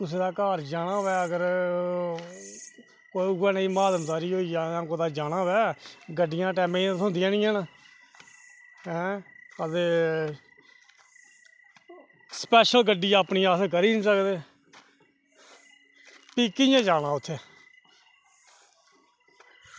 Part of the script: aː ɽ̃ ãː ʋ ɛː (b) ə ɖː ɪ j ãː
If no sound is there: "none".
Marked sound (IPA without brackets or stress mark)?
ɡ